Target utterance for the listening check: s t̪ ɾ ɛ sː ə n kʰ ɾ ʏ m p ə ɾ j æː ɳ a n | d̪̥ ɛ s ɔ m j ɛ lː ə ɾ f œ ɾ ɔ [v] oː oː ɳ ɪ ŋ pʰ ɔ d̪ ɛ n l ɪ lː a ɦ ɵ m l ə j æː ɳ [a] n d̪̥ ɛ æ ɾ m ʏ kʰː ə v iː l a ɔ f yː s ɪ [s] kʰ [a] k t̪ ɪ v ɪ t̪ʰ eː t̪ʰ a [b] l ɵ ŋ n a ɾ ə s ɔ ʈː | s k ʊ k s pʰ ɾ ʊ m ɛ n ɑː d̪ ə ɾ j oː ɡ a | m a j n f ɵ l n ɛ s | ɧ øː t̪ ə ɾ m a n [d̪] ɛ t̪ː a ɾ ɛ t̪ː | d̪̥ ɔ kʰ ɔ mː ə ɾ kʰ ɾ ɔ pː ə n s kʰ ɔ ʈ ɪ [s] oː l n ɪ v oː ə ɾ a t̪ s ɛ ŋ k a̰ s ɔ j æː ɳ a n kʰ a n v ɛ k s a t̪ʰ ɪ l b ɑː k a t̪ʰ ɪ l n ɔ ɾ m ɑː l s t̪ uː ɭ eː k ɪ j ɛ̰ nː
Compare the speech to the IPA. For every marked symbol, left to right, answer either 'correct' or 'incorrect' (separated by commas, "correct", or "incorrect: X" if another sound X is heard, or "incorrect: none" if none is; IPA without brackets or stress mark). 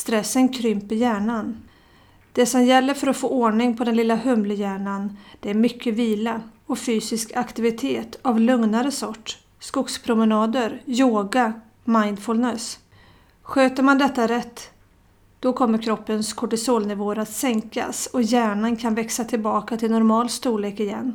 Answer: incorrect: f, correct, correct, correct, incorrect: v, correct, correct